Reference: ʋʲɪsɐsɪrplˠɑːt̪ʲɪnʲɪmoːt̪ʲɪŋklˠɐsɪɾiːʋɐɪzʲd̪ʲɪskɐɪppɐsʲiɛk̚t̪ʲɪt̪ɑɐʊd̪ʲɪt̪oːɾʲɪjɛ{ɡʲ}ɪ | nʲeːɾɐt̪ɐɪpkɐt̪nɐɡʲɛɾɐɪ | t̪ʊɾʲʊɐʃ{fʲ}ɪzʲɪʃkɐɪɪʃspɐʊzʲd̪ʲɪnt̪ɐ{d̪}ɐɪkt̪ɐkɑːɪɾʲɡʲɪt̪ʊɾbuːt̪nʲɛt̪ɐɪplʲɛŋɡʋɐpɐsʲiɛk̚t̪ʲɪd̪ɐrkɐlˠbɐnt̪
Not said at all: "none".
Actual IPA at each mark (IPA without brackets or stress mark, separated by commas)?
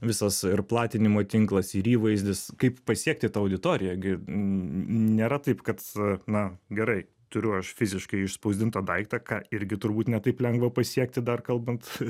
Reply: ɡʲ, fʲ, d̪